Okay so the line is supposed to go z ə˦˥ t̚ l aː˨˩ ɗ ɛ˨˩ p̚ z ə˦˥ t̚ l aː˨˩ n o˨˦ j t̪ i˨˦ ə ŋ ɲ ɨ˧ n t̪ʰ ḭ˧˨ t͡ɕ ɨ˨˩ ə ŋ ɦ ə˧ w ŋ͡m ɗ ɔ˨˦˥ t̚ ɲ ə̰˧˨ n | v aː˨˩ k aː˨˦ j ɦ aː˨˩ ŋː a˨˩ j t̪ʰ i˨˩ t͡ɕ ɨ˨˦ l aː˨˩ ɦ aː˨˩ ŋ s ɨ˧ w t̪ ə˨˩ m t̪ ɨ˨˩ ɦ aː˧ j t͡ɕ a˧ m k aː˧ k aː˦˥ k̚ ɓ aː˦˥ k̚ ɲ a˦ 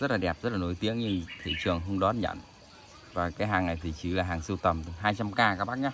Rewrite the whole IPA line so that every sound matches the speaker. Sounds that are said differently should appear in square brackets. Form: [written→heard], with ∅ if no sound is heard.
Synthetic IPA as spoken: z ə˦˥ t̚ l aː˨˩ ɗ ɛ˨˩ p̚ z ə˦˥ t̚ l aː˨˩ n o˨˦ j t̪ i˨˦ ə ŋ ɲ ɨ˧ [n→ŋ] t̪ʰ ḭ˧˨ t͡ɕ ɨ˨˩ ə ŋ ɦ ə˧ w ŋ͡m ɗ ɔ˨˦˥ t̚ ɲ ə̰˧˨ n | v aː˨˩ k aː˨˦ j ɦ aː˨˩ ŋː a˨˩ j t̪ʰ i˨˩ t͡ɕ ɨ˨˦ l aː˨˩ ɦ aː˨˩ ŋ s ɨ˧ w t̪ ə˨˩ m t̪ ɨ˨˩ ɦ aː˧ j t͡ɕ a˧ m k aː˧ k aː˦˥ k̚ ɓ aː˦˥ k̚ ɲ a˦